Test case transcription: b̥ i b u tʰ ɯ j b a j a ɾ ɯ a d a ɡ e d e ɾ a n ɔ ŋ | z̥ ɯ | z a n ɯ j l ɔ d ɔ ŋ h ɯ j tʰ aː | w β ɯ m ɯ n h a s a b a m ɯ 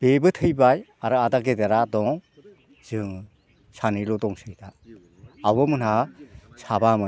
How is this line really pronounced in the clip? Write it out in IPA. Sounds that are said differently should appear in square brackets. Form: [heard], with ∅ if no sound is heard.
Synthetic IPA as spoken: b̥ [e] b [ɯ] tʰ ɯ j b a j a ɾ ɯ a d a ɡ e d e ɾ a [d] ɔ ŋ | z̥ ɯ | [s] a n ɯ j l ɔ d ɔ ŋ [s] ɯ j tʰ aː | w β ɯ m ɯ n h a s a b a m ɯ